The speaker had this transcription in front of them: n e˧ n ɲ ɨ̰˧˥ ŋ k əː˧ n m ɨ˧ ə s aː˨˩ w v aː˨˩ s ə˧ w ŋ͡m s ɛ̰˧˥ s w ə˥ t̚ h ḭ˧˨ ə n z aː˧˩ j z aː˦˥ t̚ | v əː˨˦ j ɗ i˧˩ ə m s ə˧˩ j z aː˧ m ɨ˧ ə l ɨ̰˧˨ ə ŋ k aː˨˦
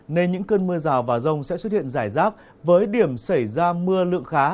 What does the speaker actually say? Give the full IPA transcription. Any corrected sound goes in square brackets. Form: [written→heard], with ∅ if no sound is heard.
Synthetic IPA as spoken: n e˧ n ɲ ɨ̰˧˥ ŋ k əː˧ n m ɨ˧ ə [s→z] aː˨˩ w v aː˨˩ [s→z] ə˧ w ŋ͡m s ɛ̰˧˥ s w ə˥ t̚ h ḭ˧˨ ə n z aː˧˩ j z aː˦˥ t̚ | v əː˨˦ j ɗ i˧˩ ə m s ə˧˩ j z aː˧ m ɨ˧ ə l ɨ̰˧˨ ə ŋ [k→x] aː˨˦

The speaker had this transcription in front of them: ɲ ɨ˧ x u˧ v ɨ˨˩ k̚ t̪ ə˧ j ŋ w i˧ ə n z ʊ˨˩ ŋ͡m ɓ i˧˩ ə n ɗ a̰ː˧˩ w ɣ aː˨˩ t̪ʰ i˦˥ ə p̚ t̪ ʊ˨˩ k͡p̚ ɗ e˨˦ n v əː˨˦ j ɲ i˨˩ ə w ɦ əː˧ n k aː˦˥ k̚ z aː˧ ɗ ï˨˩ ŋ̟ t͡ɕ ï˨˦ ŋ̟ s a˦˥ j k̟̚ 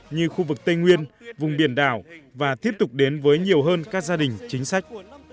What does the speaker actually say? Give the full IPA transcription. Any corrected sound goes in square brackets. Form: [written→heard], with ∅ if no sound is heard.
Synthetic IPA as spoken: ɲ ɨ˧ x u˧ v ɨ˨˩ k̚ t̪ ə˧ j ŋ w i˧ ə n [z→v] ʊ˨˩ ŋ͡m ɓ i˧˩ ə n ɗ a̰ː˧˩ w [ɣ→v] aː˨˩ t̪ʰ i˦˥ ə p̚ t̪ ʊ˨˩ k͡p̚ ɗ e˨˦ n v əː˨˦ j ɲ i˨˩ ə w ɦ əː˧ n k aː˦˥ k̚ z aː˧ ɗ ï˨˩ ŋ̟ t͡ɕ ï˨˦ ŋ̟ s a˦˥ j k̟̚

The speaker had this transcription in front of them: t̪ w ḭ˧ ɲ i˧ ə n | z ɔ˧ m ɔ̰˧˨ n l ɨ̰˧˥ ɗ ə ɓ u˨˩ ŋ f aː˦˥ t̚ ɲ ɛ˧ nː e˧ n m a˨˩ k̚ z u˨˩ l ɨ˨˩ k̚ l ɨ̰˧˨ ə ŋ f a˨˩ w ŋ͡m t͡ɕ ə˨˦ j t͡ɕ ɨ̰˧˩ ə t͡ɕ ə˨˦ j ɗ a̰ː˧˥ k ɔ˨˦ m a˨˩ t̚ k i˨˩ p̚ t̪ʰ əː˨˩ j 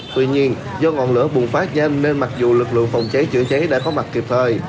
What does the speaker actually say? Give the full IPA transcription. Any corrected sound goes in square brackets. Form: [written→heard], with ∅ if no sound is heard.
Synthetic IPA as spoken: t̪ w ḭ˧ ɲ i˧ ə n | z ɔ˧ [m→ŋ] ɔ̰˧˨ n l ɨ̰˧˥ [ɗ→∅] ə ɓ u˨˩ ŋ f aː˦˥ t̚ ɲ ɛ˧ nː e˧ n m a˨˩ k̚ z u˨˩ l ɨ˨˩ k̚ l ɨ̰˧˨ ə ŋ f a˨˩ w ŋ͡m t͡ɕ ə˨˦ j t͡ɕ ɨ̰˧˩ ə t͡ɕ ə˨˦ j ɗ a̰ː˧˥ k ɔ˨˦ m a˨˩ t̚ k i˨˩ p̚ t̪ʰ əː˨˩ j

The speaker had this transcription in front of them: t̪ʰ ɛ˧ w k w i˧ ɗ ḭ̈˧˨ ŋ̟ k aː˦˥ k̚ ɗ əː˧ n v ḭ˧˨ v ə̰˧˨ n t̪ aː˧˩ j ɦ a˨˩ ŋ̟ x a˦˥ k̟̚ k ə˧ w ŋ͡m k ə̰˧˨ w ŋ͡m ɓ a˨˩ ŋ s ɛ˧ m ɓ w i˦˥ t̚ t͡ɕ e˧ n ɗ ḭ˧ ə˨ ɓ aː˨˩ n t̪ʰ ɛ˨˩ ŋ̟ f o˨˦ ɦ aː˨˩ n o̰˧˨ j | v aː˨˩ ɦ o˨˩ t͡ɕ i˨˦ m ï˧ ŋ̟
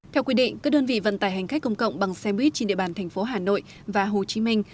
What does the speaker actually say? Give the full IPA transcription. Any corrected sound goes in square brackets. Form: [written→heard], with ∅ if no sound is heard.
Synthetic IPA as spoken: t̪ʰ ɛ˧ w k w i˧ ɗ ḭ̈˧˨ ŋ̟ k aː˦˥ k̚ ɗ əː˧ n v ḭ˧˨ v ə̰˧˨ n t̪ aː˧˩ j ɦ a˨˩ ŋ̟ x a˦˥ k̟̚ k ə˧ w ŋ͡m k ə̰˧˨ w ŋ͡m ɓ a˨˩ ŋ s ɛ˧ m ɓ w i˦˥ t̚ t͡ɕ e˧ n ɗ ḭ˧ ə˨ ɓ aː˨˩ n t̪ʰ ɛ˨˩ ŋ̟ f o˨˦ ɦ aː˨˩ n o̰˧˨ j | v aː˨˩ ɦ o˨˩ t͡ɕ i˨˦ m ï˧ ŋ̟

